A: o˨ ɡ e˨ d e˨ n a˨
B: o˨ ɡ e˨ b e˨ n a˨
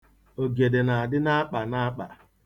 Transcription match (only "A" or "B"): A